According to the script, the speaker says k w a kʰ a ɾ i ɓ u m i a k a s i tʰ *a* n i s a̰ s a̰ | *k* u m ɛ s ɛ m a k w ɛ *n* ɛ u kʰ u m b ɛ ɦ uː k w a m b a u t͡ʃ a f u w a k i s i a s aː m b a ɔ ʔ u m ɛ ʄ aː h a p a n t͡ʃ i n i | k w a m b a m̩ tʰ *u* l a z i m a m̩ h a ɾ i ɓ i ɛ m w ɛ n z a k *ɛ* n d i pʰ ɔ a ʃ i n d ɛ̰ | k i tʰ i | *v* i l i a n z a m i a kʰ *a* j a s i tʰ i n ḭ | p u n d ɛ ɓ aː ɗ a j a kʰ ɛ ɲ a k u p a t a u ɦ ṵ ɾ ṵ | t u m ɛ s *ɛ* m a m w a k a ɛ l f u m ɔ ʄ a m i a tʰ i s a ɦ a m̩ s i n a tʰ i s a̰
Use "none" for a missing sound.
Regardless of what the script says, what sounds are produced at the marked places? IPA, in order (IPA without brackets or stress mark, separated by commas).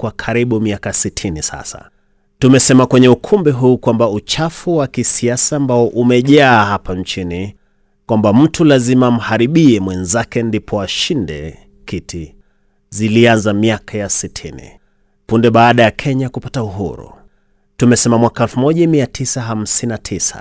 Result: i, t, ɲ, u, ɛ, z, a, ɛ